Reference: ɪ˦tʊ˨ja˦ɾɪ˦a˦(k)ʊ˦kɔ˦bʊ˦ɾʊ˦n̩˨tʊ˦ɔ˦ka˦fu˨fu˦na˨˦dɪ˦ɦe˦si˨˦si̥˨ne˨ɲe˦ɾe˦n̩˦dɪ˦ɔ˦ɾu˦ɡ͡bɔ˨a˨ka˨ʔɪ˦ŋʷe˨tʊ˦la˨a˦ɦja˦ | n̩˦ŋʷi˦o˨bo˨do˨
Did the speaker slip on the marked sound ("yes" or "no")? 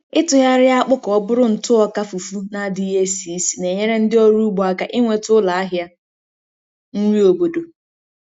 yes